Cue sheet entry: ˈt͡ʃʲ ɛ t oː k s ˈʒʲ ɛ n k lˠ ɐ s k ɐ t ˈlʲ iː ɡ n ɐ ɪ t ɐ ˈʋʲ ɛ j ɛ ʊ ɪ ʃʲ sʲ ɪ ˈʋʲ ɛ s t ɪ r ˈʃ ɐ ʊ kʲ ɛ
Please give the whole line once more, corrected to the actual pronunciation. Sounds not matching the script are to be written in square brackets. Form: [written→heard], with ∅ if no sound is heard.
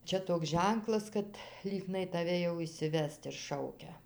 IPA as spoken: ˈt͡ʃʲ ɛ t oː k s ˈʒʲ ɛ [n→ŋ] k lˠ ɐ s k ɐ t ˈlʲ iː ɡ n ɐ ɪ t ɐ ˈʋʲ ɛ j ɛ ʊ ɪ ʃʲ sʲ ɪ ˈʋʲ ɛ s t ɪ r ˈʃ ɐ ʊ kʲ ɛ

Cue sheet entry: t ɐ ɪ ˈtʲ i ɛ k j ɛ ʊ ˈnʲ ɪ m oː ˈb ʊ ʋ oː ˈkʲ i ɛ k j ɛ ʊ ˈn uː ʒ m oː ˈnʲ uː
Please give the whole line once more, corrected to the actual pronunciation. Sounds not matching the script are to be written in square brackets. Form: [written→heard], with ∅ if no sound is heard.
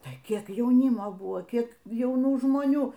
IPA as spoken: t ɐ ɪ [ˈtʲ→ˈkʲ] i ɛ k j ɛ ʊ ˈnʲ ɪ m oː ˈb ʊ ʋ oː ˈkʲ i ɛ k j ɛ ʊ ˈn uː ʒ m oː ˈnʲ uː

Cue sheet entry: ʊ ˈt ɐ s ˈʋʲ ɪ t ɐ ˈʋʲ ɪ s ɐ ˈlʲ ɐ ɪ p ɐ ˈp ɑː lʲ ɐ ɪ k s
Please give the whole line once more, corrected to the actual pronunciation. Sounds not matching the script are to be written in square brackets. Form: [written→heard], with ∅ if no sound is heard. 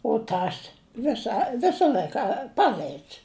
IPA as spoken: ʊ ˈt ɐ s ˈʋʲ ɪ [t→s] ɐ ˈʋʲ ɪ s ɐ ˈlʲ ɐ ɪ [p→k] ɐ ˈp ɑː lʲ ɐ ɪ [k→t] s

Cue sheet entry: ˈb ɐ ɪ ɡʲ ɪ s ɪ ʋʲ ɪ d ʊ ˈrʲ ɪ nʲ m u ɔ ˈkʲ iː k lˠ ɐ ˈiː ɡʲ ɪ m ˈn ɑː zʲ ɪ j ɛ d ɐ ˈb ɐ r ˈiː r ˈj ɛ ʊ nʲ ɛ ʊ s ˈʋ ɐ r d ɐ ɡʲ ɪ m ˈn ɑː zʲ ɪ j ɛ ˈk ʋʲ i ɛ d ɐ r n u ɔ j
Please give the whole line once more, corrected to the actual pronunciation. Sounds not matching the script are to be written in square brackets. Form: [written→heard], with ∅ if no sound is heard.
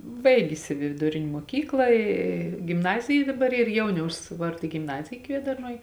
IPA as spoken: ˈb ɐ ɪ ɡʲ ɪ s ɪ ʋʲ ɪ d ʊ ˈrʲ ɪ nʲ m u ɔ ˈkʲ iː k lˠ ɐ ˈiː ɡʲ ɪ m ˈn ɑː zʲ ɪ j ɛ d ɐ ˈb ɐ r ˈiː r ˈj ɛ ʊ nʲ ɛ ʊ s ˈʋ ɐ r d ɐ ɡʲ ɪ m ˈn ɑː zʲ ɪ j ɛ ˈk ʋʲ i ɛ d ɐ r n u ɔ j

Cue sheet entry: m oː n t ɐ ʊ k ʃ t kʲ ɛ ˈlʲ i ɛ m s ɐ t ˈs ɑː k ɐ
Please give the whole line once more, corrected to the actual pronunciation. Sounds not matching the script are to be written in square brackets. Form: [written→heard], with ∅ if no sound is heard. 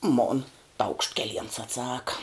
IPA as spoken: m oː n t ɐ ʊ k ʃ t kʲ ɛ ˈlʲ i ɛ [m→n] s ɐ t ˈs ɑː k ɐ

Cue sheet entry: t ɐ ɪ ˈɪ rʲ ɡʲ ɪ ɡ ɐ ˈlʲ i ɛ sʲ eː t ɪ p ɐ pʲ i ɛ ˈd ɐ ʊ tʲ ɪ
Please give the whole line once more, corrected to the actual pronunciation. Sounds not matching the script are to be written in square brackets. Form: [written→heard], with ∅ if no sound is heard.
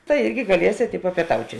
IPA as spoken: t ɐ ɪ ˈɪ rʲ ɡʲ ɪ ɡ ɐ ˈlʲ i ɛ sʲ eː t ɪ p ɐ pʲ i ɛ [ˈd→ˈt] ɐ ʊ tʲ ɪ

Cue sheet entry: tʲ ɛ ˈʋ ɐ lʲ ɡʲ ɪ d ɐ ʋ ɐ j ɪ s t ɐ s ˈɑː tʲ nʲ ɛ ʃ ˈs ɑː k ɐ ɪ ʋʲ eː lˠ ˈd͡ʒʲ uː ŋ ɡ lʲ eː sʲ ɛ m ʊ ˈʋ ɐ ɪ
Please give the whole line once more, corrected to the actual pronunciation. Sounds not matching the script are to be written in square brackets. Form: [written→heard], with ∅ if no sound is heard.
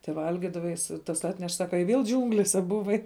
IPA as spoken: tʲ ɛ ˈʋ ɐ lʲ ɡʲ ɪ d ɐ ʋ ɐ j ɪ s t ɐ s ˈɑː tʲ nʲ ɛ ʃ ˈs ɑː k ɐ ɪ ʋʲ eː lˠ ˈd͡ʒʲ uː ŋ ɡ lʲ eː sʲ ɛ [m→b] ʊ ˈʋ ɐ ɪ

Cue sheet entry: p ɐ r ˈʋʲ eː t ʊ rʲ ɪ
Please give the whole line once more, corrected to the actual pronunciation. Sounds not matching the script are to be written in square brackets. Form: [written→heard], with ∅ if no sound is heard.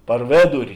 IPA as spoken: p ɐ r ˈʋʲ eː [t→d] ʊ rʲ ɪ

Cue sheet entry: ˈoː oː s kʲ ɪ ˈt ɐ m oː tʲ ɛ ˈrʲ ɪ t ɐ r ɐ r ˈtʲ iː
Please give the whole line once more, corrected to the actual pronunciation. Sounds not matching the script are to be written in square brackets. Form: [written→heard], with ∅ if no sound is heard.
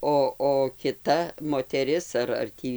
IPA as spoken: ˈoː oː [s→∅] kʲ ɪ ˈt ɐ m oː tʲ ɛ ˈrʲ ɪ [t→s] ɐ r ɐ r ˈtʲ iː

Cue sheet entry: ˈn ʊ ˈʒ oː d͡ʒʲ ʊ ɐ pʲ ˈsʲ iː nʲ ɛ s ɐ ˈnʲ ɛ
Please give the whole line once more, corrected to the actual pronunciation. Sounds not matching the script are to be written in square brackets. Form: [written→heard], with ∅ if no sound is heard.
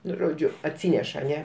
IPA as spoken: ˈn ʊ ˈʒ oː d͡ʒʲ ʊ ɐ [pʲ→tʲ] ˈsʲ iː nʲ ɛ [s→ʃ] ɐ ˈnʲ ɛ

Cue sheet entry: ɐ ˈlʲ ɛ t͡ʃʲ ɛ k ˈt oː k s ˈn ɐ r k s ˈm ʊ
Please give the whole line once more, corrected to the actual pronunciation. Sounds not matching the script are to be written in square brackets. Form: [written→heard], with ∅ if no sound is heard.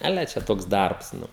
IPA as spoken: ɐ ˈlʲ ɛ t͡ʃʲ ɛ [k→∅] ˈt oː k s [ˈn→ˈd] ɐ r [k→p] s [ˈm→ˈn] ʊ

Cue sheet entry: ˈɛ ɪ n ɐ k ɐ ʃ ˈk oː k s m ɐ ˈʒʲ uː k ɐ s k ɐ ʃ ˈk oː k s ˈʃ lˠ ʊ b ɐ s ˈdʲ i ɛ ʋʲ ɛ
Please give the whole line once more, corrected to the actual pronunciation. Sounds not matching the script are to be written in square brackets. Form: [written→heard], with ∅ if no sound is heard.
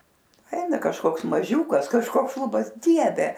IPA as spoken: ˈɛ ɪ n ɐ k ɐ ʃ ˈk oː k s m ɐ ˈʒʲ uː k ɐ s k ɐ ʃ ˈk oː k s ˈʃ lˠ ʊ b ɐ s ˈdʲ i ɛ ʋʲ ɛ

